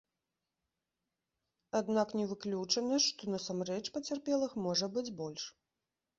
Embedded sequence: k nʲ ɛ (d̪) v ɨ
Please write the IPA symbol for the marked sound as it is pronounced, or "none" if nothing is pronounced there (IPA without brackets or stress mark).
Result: none